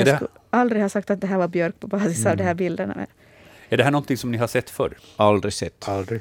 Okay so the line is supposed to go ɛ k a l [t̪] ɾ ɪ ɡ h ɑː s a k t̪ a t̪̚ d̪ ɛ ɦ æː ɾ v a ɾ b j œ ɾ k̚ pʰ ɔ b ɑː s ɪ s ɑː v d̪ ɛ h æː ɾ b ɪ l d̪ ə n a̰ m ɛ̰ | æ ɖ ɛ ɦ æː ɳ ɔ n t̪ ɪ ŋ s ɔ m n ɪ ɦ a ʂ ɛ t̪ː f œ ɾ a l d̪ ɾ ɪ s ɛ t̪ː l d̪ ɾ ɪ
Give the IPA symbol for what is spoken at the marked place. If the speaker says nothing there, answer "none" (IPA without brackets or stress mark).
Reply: d̪